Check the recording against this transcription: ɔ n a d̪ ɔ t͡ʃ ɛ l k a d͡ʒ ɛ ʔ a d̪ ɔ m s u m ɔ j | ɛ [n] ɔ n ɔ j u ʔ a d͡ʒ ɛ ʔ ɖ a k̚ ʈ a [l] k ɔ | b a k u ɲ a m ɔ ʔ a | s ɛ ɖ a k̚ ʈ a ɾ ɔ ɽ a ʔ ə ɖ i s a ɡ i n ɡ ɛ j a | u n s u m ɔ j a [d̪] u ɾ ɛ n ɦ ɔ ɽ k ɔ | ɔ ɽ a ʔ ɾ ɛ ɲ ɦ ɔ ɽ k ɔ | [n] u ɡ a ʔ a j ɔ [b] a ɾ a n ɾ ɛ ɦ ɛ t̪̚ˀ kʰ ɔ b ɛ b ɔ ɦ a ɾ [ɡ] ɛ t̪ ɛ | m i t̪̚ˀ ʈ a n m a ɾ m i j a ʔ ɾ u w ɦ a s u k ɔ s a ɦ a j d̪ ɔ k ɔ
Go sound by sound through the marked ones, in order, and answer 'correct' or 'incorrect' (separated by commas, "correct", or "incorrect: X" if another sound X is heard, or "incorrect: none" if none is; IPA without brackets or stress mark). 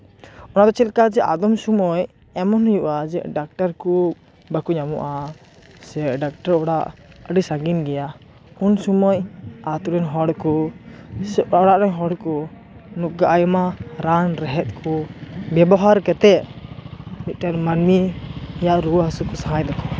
incorrect: m, incorrect: ɾ, incorrect: t̪, correct, incorrect: m, incorrect: k